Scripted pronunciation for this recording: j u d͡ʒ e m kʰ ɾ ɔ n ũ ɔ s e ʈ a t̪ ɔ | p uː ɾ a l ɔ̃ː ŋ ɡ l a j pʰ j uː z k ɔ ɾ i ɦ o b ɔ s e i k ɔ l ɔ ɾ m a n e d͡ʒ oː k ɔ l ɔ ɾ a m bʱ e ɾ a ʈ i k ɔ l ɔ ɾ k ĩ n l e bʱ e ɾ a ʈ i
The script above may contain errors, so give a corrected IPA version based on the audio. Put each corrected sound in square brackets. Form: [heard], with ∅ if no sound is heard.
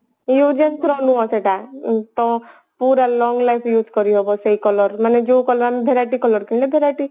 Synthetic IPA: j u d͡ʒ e [n] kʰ ɾ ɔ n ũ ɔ s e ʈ a t̪ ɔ | p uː ɾ a l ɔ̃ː ŋ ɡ l a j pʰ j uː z k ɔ ɾ i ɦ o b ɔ s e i k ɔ l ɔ ɾ m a n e d͡ʒ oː k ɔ l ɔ ɾ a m bʱ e ɾ a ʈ i k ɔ l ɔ ɾ k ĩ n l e bʱ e ɾ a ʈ i